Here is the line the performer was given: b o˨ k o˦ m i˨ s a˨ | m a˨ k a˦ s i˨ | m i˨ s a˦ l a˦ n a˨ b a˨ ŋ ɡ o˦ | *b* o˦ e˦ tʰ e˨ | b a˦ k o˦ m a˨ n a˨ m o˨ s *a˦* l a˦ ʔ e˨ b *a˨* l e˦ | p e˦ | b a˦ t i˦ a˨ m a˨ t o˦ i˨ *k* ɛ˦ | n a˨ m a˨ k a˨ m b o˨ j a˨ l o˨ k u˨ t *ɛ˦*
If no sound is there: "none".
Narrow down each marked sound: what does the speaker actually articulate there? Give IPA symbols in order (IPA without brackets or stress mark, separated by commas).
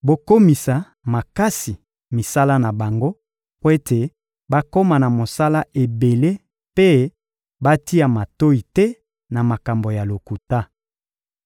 p, a˦, e˨, t, a˦